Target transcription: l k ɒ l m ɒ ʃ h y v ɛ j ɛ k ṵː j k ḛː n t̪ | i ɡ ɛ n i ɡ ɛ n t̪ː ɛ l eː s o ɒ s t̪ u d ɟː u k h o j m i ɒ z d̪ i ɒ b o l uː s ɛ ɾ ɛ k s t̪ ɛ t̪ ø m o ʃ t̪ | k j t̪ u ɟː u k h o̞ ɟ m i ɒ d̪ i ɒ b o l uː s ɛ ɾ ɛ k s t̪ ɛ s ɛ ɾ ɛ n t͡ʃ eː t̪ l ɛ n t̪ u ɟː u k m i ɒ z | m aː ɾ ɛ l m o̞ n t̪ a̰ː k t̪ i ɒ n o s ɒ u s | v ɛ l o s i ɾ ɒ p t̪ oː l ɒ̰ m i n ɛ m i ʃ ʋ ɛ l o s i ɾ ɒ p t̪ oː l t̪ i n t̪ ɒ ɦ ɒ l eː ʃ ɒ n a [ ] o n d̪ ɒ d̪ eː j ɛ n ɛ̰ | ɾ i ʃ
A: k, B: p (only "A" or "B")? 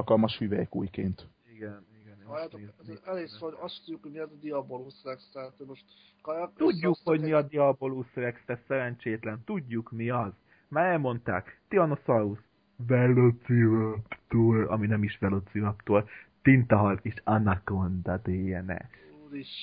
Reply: A